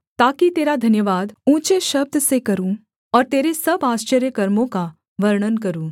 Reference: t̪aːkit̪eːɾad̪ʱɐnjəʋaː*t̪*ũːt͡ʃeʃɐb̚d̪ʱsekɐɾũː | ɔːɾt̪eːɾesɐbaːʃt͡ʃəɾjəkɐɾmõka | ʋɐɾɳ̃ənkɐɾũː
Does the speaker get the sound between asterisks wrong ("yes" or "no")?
yes